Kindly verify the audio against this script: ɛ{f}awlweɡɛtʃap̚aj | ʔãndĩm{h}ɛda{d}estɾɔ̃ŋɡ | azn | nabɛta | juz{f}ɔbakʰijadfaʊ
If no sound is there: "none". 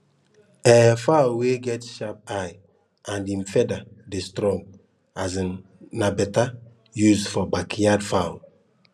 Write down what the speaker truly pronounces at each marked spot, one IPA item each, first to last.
f, f, d, f

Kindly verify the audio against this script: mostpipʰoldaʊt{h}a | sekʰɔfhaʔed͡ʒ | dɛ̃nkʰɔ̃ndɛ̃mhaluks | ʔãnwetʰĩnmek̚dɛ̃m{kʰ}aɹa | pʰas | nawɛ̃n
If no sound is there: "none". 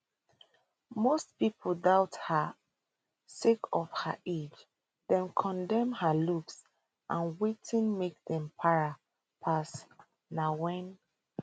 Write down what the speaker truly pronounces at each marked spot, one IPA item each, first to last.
h, pʰ

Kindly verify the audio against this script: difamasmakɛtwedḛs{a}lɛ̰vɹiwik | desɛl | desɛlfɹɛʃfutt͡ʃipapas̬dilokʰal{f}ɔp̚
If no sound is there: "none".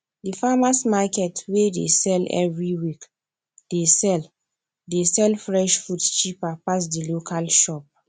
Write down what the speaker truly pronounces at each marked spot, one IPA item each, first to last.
ɛ, ʃ

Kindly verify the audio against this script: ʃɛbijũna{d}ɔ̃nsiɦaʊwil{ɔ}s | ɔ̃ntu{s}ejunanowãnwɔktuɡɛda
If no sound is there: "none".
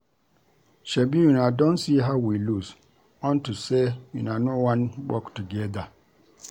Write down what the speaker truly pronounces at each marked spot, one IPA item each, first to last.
d, u, s

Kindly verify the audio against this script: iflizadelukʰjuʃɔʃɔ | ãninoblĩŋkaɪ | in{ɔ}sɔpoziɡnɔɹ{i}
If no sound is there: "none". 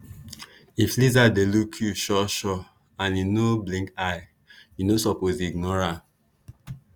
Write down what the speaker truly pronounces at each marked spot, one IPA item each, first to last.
o, a

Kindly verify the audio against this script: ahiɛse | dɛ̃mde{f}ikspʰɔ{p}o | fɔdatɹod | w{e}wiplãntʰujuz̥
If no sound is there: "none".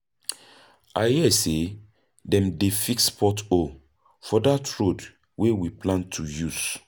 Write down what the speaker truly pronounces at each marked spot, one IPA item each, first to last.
f, t, e

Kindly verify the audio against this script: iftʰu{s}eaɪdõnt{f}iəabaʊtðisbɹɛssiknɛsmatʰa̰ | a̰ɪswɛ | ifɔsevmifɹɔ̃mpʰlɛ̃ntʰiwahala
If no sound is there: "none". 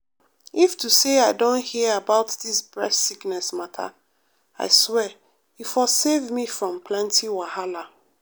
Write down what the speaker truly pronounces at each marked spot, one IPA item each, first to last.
s, h

